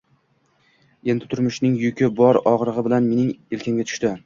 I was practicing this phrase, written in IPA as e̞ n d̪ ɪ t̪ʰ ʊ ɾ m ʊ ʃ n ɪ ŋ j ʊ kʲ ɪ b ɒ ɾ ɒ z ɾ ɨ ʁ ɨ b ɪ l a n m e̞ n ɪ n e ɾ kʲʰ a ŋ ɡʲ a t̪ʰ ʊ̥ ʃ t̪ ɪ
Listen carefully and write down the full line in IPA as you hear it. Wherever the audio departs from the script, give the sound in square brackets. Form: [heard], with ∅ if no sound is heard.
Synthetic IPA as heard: e̞ n d̪ ɪ t̪ʰ ʊ ɾ m ʊ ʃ n ɪ ŋ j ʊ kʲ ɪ b ɒ ɾ ɒ [ʁ] ɾ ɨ ʁ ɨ b ɪ l a n m e̞ n ɪ [ŋ] e [l] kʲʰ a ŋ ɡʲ a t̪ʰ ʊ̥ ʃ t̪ ɪ